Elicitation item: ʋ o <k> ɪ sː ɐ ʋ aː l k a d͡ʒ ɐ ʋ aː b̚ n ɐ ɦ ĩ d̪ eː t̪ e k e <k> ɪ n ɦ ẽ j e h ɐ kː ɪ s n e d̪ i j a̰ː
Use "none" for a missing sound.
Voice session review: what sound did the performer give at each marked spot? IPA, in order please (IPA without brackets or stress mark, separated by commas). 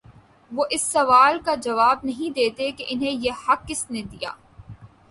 ʔ, ʔ